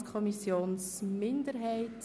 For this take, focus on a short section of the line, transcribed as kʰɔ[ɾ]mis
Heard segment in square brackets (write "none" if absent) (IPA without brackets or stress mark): none